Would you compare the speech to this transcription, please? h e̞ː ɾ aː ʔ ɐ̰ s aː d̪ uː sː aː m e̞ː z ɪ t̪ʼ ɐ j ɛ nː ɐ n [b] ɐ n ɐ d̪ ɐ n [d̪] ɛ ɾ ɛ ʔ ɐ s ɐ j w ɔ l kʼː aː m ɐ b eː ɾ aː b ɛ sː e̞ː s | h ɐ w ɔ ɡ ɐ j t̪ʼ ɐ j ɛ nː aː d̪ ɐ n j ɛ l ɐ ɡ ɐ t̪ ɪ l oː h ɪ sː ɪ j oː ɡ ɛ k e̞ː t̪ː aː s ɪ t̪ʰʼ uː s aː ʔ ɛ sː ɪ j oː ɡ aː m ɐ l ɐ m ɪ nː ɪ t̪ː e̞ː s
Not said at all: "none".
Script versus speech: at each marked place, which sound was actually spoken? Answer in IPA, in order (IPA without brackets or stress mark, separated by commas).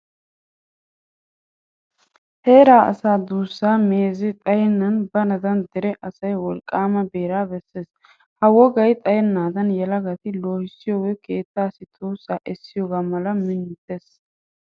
b, d̪